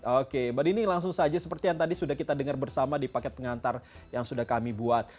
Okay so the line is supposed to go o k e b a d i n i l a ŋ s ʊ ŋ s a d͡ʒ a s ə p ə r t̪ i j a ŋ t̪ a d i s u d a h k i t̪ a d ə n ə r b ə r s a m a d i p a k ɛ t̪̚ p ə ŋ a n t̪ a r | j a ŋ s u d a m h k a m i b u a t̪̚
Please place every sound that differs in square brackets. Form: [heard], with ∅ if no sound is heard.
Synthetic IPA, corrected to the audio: o k e b a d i n i l a ŋ s ʊ ŋ s a d͡ʒ a s ə p ə r t̪ i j a ŋ t̪ a d i s u d a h k i t̪ a d ə [ŋ] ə r b ə r s a m a d i p a k ɛ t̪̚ p ə ŋ a n t̪ a r | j a ŋ s u d a [∅] h k a m i b u a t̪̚

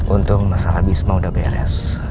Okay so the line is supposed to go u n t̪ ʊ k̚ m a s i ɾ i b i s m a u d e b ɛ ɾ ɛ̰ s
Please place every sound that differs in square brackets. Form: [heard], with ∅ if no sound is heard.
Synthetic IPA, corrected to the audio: u n t̪ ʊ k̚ m a s [a] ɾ [a] b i s m a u d [a] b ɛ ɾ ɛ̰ s

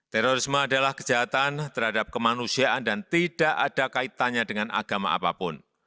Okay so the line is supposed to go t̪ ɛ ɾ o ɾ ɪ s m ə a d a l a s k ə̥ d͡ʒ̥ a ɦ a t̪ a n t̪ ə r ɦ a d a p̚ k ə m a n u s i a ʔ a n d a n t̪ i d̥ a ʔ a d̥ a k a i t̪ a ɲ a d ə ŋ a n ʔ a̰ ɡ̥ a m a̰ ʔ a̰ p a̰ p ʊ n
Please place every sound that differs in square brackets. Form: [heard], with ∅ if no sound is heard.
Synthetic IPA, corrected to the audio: t̪ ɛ ɾ o ɾ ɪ s m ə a d a l a [h] k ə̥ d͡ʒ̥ a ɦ a t̪ a n t̪ ə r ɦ a d a p̚ k ə m a n u s i a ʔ a n d a n t̪ i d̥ a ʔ a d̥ a k a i t̪ a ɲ a d ə ŋ a n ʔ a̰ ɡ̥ a m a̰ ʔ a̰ p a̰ p ʊ n

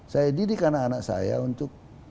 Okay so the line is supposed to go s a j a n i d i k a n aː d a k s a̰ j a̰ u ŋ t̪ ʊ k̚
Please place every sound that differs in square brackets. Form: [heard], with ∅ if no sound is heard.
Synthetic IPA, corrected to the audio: s a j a [d] i d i k a n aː [n] a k s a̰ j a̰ u [n] t̪ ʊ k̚

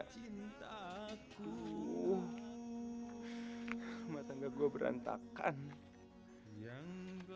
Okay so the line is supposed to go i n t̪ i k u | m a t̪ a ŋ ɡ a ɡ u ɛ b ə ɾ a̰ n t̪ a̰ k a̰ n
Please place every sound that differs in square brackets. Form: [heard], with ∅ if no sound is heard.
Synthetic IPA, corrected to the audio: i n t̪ [a] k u | m a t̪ a ŋ ɡ a ɡ u [a] b ə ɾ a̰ n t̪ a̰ k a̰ n

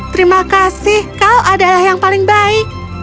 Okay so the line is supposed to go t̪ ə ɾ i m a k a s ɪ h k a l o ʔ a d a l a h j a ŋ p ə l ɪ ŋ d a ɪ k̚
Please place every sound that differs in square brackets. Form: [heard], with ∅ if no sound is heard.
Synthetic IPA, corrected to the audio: t̪ ə ɾ i m a k a s ɪ h k a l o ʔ a d a l a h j a ŋ p [a] l ɪ ŋ [b] a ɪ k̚

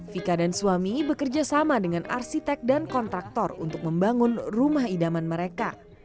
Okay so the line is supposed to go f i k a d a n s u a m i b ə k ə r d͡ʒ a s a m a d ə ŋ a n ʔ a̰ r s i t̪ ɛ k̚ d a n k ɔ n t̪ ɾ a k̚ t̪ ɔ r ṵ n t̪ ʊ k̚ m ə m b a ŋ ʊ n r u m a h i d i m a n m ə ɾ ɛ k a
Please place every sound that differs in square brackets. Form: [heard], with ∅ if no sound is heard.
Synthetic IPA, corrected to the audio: f i k a d a n s u a m i b ə k ə r d͡ʒ a s a m a d ə ŋ a n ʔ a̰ r s i t̪ ɛ k̚ d a n k ɔ n t̪ ɾ a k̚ t̪ ɔ r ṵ n t̪ ʊ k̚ m ə m b a ŋ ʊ n r u m a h i d [a] m a n m ə ɾ [e] k a

